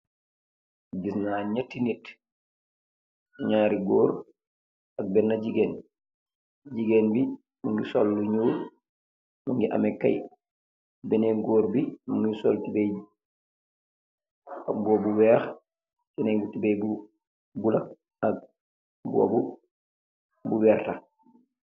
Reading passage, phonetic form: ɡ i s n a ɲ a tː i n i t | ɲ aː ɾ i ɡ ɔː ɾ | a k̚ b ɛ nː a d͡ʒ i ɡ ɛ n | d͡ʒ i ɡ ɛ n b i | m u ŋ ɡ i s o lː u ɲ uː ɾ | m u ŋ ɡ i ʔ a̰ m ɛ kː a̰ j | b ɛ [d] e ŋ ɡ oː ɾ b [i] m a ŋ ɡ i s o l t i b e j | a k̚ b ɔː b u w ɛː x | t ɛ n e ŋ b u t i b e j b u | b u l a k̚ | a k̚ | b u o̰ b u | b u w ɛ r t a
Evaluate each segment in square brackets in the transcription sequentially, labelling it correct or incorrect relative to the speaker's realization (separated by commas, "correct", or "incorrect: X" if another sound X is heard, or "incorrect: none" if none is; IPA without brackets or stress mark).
incorrect: n, correct